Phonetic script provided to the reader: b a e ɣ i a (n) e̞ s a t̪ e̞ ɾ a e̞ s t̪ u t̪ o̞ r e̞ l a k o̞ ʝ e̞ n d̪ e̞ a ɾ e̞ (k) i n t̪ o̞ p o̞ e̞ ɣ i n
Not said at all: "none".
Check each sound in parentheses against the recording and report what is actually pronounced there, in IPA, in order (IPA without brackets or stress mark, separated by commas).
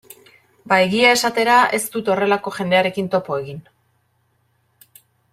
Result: none, k